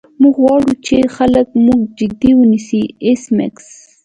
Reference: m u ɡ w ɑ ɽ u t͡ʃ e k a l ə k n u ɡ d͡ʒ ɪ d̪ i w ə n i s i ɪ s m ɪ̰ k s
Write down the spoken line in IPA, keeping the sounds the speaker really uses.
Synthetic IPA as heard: m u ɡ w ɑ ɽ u t͡ʃ e x a l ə k m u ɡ d͡ʒ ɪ d̪ i w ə n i s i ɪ s m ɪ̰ k s